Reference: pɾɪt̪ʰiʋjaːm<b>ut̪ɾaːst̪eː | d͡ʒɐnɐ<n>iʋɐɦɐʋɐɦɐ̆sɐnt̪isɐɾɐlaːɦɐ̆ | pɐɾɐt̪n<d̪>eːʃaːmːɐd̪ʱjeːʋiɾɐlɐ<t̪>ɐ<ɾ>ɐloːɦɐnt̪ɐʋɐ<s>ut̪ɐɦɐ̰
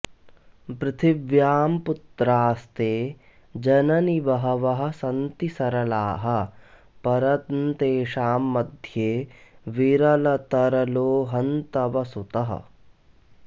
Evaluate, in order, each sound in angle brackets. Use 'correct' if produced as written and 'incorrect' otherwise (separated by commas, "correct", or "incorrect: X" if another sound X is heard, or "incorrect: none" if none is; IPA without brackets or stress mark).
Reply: incorrect: p, correct, incorrect: t̪, correct, correct, correct